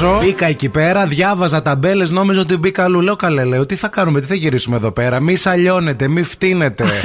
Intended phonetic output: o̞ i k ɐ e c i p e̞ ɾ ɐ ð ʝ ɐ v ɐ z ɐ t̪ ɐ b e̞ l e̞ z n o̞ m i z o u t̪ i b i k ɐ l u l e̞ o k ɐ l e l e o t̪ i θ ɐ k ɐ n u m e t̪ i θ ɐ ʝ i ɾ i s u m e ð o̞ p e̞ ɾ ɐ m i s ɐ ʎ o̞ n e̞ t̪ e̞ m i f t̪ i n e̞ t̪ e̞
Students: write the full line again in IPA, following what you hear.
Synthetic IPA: o̞ i k ɐ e c i p e̞ ɾ ɐ ð ʝ ɐ v ɐ z ɐ t̪ ɐ b e̞ l e̞ z n o̞ m i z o o t̪ i b i k ɐ l u l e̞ o k ɐ l e l e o t̪ i θ ɐ k ɐ n u m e t̪ i θ ɐ ʝ i ɾ i s u m e ð o̞ p e̞ ɾ ɐ m i s ɐ ʎ o̞ n e̞ t̪ e̞ m i f t̪ i n e̞ t̪ e̞